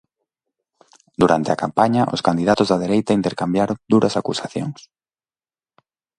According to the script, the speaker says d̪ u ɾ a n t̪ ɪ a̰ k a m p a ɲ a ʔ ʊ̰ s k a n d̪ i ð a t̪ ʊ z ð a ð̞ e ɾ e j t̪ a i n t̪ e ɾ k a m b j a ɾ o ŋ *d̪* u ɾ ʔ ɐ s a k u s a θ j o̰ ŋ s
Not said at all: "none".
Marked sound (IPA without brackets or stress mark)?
d̪